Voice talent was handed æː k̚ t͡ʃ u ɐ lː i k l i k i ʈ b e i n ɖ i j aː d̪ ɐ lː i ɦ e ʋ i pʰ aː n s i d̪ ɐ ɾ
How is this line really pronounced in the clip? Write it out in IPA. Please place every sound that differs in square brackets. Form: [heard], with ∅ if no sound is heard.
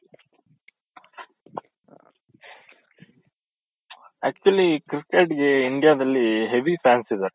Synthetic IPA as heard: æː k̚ t͡ʃ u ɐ [l] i k [ɾ] i k [e] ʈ [ɡ] e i [ɳ] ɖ i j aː d̪ ɐ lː i ɦ e ʋ i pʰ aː n s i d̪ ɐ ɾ